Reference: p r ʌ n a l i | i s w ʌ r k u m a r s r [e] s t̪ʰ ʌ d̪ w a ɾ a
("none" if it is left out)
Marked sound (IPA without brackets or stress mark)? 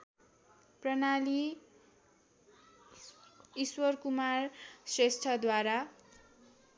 e